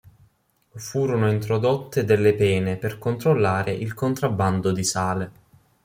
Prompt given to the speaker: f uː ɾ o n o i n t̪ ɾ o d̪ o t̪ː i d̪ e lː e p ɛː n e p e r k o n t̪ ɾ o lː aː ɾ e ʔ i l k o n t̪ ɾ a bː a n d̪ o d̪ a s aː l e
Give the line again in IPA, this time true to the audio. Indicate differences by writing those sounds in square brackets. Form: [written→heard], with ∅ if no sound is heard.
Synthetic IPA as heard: f uː ɾ o n o i n t̪ ɾ o d̪ o t̪ː [i→e] d̪ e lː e p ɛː n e p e r k o n t̪ ɾ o lː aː ɾ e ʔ i l k o n t̪ ɾ a bː a n d̪ o d̪ [a→i] s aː l e